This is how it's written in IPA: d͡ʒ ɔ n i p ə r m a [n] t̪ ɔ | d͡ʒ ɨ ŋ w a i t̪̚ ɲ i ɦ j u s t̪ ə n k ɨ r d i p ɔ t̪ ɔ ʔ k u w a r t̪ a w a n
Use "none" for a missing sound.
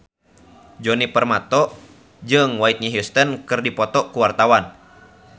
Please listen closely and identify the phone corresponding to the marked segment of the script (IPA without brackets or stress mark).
none